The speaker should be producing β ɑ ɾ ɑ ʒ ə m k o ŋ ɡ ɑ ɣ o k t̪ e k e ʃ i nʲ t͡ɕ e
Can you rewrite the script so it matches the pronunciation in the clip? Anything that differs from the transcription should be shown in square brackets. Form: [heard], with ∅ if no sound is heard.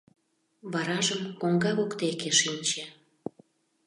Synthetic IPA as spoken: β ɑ ɾ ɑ ʒ ə m k o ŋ ɡ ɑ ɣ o k t̪ e k e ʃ i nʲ t͡ɕ e

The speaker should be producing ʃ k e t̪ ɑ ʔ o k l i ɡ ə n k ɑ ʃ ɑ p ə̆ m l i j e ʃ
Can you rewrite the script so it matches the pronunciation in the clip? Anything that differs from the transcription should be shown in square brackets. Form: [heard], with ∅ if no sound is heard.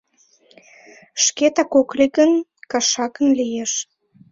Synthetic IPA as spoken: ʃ k e t̪ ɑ [k] o k l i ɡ ə n k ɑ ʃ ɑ [k] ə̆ [n] l i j e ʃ

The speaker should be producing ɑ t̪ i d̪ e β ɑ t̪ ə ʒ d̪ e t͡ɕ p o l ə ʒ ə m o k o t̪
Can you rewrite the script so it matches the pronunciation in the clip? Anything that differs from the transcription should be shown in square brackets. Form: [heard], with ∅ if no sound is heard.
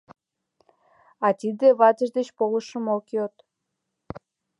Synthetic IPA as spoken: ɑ t̪ i d̪ e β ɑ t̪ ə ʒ d̪ e t͡ɕ p o l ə [ʃ] ə m o k o t̪

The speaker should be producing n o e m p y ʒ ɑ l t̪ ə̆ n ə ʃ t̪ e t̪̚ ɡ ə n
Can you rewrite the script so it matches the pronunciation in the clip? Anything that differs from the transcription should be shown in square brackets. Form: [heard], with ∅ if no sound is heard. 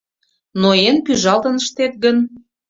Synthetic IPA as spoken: n o e [n] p y ʒ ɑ l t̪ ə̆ n ə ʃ t̪ e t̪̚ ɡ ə n

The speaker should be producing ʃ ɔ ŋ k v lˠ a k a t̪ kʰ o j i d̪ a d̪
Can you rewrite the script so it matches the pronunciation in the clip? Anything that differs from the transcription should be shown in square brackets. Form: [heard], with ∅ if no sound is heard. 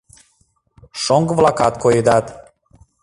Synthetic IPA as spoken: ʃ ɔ ŋ [ɡ] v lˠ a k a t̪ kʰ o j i d̪ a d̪

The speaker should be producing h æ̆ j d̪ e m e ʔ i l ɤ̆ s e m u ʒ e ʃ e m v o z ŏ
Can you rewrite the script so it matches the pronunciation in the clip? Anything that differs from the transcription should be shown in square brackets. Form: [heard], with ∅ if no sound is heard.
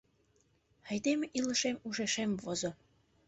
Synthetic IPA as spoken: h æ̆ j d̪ e m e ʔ i l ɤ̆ [ʃ] e m u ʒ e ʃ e m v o z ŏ

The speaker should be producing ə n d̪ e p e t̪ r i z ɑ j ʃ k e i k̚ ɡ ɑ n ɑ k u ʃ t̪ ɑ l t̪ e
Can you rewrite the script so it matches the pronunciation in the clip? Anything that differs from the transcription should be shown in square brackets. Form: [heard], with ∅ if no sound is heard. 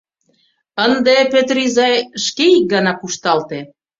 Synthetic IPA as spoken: ə n d̪ e p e t̪ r i z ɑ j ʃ k e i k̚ ɡ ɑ n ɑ k u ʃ t̪ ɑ l t̪ e

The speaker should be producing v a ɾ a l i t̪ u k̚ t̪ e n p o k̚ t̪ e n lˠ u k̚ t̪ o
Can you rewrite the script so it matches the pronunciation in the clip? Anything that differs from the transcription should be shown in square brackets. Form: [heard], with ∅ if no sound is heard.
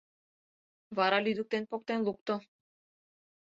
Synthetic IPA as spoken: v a ɾ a l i [d̪] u k̚ t̪ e n p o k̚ t̪ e n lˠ u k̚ t̪ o

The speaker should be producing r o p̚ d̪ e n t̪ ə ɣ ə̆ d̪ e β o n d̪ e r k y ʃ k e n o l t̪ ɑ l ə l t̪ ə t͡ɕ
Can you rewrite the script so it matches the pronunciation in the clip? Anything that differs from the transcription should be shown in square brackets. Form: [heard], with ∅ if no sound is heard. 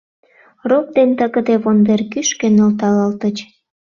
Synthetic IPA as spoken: r o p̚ d̪ e n t̪ ə ɣ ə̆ d̪ e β o n d̪ e r k y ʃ k e n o l t̪ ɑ l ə l t̪ ə t͡ɕ

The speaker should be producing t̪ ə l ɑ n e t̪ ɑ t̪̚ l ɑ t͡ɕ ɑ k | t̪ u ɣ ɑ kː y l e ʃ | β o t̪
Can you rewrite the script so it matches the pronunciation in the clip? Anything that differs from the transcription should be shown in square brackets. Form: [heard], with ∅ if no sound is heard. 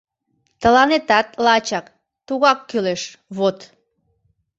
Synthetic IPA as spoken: t̪ ə l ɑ n e t̪ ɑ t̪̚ l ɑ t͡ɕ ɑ k | t̪ u ɣ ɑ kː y l e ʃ | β o t̪

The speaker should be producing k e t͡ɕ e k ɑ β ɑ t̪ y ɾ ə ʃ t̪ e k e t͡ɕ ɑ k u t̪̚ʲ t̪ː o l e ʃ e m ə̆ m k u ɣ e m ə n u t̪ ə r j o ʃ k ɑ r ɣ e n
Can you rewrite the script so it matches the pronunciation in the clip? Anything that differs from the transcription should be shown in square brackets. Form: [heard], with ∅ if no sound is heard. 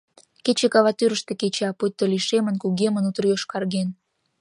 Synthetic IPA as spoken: k e t͡ɕ e k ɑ β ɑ t̪ y ɾ ə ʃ t̪ e k e t͡ɕ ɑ [p] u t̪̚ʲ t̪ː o l [i] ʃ e m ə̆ [n] k u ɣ e m ə n u t̪ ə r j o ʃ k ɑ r ɣ e n

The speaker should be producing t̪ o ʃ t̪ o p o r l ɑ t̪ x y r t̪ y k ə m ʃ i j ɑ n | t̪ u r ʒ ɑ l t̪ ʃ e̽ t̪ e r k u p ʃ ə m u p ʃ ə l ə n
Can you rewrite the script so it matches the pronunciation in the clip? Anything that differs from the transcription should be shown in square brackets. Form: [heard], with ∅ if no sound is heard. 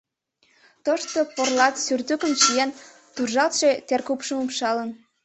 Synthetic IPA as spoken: t̪ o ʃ t̪ o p o r l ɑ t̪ [s] y r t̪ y k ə m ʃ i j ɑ n | t̪ u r ʒ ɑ l t̪ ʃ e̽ t̪ e r k u p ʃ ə m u p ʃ [ɑ] l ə n

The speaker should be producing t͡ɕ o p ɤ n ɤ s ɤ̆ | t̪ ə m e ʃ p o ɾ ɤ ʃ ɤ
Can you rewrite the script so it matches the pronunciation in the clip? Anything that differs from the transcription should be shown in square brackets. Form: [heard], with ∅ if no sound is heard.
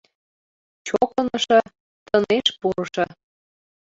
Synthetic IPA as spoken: t͡ɕ o [k] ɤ n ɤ [ʃ] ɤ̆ | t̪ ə [n] e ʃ p [u] ɾ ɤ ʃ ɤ

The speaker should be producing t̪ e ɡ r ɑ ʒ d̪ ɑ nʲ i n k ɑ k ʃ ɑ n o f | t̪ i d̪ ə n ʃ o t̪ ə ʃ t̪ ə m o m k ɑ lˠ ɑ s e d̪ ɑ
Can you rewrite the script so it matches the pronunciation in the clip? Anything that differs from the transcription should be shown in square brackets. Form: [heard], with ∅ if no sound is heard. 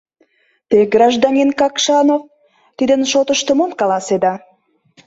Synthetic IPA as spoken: t̪ e ɡ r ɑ ʒ d̪ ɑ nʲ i n k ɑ k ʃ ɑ n o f | t̪ i d̪ ə n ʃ o t̪ ə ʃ t̪ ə m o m k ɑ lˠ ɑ s e d̪ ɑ

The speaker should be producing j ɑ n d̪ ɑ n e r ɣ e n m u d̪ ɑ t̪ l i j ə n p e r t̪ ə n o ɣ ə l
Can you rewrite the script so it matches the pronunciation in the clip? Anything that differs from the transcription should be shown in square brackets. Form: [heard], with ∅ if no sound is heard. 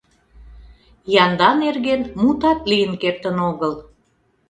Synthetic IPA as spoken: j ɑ n d̪ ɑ n e r ɣ e n m u [t̪] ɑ t̪ l i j ə n [k] e r t̪ ə n o ɣ ə l

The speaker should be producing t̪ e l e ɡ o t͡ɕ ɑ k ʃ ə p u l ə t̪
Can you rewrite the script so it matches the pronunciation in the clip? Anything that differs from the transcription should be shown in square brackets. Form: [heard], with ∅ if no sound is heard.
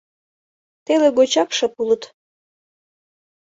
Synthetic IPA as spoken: t̪ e l e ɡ o t͡ɕ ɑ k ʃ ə p u l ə t̪

